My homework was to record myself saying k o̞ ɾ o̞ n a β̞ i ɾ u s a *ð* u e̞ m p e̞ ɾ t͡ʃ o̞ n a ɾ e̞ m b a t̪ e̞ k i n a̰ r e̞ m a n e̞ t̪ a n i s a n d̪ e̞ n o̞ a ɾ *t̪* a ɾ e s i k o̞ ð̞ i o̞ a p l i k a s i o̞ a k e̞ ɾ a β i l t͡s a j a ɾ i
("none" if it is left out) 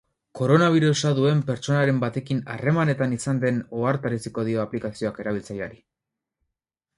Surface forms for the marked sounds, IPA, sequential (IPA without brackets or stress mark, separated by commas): ð, t̪